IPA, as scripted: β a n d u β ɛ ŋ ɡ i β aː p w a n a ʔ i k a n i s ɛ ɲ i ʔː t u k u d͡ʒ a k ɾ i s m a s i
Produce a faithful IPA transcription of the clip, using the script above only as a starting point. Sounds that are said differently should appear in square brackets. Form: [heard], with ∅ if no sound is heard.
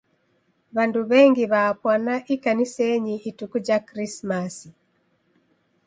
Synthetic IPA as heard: β a n d u β ɛ ŋ ɡ i β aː p w a n a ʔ i k a n i s ɛ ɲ i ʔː t u k u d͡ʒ a k ɾ i s m a s i